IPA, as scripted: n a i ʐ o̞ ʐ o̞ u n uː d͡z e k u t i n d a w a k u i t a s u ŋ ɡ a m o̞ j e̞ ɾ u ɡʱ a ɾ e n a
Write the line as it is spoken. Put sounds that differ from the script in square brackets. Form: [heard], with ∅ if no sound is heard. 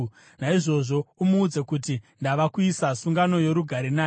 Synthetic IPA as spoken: n a i ʐ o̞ ʐ o̞ u [m] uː d͡z e k u t i n d a [ʋ] a k u i [s] a s u ŋ ɡ a [n] o̞ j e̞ ɾ u ɡʱ a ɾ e n a